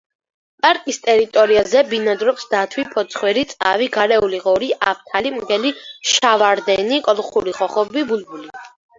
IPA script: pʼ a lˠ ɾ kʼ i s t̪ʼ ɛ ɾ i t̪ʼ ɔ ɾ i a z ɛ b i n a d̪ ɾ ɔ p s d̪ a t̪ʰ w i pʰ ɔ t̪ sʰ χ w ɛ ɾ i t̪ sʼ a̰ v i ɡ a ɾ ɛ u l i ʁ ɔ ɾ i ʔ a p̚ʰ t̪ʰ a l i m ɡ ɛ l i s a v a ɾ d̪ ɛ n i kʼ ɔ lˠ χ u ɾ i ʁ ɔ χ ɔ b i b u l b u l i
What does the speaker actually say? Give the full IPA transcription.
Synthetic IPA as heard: pʼ a ɾ kʼ i s t̪ʼ ɛ ɾ i t̪ʼ ɔ ɾ i a z ɛ b i n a d̪ ɾ ɔ p s d̪ a t̪ʰ w i pʰ ɔ t̪ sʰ χ w ɛ ɾ i t̪ sʼ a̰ v i ɡ a ɾ ɛ u l i ʁ ɔ ɾ i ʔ a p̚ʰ t̪ʰ a l i m ɡ ɛ l i ʃ a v a ɾ d̪ ɛ n i kʼ ɔ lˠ χ u ɾ i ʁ ɔ χ ɔ b i b u l b u l i

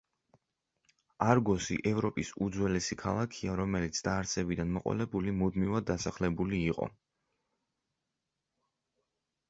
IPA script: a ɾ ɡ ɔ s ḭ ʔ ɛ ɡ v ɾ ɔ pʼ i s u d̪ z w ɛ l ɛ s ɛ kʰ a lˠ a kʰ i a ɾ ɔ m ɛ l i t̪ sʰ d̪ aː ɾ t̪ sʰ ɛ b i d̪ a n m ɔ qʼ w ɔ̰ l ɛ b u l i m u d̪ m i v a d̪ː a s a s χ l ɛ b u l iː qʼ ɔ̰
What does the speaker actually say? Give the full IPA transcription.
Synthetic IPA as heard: a ɾ ɡ ɔ s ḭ ʔ ɛ v ɾ ɔ pʼ i s u d̪ z w ɛ l ɛ s i kʰ a lˠ a kʰ i a ɾ ɔ m ɛ l i t̪ sʰ d̪ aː ɾ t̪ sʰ ɛ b i d̪ a n m ɔ qʼ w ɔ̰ l ɛ b u l i m u d̪ m i v a d̪ː a s a χ l ɛ b u l iː qʼ ɔ̰

